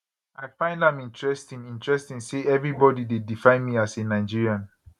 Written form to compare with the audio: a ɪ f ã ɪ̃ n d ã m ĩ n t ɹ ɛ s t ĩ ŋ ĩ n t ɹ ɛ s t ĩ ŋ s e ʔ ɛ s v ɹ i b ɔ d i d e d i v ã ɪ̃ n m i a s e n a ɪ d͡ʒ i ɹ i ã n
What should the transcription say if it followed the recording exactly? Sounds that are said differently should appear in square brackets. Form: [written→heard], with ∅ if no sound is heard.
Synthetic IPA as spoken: a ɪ f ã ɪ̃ n d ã m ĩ n t ɹ ɛ s t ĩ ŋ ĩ n t ɹ ɛ s t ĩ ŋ s e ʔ ɛ [s→∅] v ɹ i b ɔ d i d e d i [v→f] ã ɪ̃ n m i a s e n a ɪ d͡ʒ i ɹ i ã n